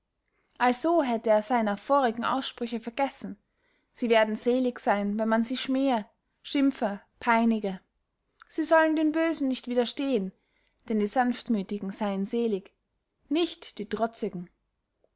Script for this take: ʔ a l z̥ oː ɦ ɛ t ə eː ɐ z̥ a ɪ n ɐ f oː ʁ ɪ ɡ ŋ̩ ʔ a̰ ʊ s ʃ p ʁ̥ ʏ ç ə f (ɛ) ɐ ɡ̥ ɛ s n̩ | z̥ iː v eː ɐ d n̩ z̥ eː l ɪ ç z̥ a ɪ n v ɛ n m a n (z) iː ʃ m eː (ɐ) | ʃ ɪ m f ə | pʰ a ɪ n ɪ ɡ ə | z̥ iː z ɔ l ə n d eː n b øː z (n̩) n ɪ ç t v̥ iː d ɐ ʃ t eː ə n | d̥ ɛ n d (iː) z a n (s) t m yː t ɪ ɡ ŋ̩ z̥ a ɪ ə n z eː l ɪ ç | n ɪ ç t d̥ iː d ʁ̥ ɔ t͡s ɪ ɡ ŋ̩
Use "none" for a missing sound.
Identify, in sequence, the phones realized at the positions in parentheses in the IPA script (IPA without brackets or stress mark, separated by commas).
ɛ, z, ə, n̩, iː, f